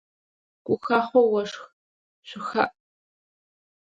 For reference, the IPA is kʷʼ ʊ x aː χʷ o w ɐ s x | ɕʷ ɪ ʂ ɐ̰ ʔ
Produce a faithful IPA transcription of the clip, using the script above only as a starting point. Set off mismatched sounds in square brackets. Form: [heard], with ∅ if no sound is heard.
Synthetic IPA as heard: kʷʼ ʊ x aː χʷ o w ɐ [ʂ] x | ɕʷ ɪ [x] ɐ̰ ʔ